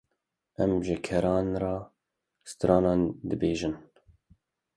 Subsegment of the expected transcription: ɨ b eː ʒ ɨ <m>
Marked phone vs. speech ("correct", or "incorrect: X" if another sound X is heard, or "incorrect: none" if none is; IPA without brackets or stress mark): incorrect: n